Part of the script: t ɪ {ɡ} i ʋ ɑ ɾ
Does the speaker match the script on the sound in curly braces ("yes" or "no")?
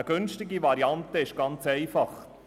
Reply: yes